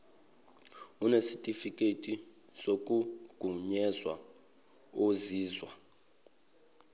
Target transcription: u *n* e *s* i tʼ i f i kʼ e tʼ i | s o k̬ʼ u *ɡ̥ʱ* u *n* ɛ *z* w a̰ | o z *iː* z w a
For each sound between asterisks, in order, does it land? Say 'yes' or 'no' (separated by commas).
yes, yes, yes, no, yes, yes